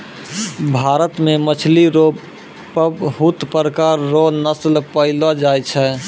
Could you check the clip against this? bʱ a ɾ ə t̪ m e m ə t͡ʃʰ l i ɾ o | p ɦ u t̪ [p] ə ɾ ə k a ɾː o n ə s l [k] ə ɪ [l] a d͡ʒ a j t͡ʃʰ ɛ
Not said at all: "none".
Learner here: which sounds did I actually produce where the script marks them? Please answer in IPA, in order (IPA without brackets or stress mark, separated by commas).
p, p, l